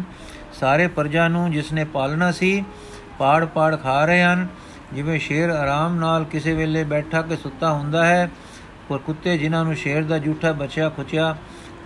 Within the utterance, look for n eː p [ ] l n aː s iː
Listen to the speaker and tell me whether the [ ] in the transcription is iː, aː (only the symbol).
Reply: aː